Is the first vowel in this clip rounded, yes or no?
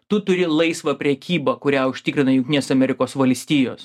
yes